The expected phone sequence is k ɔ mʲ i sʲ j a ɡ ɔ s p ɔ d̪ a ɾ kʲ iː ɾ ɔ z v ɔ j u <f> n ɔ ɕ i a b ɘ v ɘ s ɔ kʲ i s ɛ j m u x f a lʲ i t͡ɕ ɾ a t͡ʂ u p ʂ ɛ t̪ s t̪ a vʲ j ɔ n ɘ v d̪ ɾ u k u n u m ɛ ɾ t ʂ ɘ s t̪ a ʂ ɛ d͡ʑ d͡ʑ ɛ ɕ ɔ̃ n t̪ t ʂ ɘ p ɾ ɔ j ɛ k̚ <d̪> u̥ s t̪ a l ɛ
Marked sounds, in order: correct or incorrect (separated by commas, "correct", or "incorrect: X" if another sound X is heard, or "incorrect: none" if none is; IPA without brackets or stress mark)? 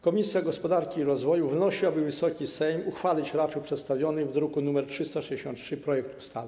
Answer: incorrect: v, incorrect: t̪